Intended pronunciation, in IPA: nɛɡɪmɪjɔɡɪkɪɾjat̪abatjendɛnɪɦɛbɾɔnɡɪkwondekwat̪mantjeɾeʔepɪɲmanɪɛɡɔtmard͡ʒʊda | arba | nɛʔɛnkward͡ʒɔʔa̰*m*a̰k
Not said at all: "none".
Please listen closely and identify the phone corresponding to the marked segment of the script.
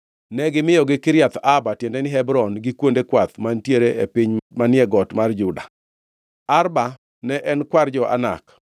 n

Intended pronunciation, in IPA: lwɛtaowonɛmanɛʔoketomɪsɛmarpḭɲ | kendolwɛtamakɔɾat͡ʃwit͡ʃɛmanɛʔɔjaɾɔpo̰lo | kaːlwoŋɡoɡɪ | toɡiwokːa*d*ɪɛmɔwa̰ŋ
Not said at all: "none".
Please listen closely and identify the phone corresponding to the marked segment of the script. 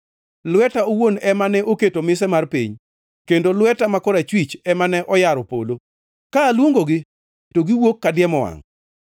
d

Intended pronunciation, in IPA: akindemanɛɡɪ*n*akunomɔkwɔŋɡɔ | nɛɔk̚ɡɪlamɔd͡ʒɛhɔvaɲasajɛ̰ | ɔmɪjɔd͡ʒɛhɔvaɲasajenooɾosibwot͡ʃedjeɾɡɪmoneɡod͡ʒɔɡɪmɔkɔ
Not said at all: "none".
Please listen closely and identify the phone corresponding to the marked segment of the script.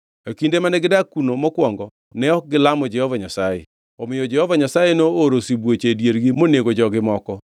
d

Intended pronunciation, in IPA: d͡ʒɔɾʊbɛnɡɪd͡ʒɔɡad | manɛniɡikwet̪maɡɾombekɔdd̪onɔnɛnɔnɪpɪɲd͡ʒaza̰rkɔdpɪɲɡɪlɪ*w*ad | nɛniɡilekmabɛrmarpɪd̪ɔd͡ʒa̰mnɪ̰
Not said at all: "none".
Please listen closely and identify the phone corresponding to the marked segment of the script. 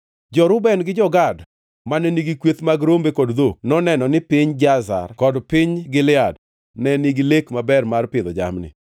none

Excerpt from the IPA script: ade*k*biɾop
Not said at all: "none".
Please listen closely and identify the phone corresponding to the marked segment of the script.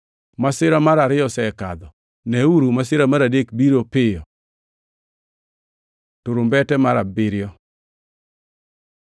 k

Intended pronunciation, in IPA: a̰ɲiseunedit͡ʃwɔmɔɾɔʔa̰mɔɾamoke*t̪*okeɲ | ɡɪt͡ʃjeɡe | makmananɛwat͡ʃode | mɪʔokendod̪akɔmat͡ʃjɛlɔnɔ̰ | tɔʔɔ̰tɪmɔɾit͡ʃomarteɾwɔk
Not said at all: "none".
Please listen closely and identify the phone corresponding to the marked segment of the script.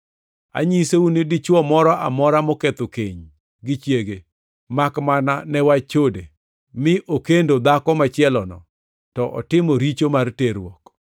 t̪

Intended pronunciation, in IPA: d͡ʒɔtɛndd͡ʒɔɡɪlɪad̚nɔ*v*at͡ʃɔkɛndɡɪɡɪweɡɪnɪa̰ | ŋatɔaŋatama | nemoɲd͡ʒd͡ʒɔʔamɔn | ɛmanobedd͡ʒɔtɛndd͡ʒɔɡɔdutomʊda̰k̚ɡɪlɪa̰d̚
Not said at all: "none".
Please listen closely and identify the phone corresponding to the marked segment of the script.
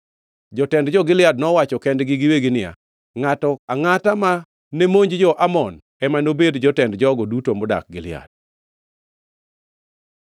w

